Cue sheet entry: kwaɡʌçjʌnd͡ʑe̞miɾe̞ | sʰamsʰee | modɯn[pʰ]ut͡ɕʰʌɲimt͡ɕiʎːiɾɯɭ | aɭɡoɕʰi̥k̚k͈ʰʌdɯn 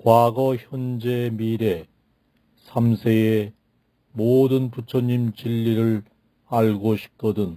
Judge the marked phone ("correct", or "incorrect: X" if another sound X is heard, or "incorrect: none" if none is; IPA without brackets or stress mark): incorrect: p